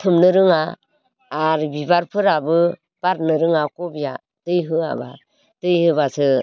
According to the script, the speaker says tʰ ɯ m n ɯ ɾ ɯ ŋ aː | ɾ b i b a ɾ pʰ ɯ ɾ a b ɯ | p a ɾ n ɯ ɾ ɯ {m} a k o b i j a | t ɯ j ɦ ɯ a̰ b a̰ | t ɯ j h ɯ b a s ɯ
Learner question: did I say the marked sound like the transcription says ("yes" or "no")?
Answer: no